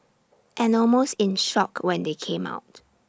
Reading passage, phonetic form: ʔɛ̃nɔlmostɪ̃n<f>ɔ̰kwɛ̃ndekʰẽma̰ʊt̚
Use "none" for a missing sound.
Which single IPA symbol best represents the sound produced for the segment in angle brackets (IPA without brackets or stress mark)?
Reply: ʃ